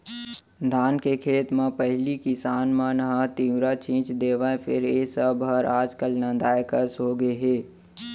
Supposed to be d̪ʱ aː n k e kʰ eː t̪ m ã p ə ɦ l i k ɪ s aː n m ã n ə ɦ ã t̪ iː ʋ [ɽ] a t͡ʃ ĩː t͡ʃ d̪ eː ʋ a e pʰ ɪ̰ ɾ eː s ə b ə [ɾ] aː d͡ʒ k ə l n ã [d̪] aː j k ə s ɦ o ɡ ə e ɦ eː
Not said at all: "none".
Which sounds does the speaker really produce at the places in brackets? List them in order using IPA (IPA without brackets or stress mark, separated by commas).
ɾ, ɾ, d̪